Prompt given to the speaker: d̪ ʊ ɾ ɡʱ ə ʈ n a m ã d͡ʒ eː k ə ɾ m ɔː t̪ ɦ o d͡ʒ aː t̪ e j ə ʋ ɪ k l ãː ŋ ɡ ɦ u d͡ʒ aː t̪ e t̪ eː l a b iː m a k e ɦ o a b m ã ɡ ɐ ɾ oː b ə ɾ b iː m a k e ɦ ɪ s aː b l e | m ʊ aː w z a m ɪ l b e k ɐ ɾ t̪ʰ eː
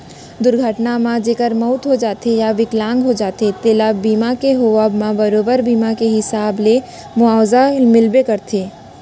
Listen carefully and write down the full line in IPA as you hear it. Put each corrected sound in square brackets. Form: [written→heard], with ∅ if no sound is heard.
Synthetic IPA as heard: d̪ ʊ ɾ ɡʱ ə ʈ n a m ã d͡ʒ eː k ə ɾ m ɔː t̪ ɦ o d͡ʒ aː t̪ e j [ə→a] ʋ ɪ k l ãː ŋ ɡ ɦ [u→o] d͡ʒ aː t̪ e t̪ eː l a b iː m a k e ɦ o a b m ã [ɡ→b] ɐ ɾ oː b ə ɾ b iː m a k e ɦ ɪ s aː b l e | m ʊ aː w z a m ɪ l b e k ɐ ɾ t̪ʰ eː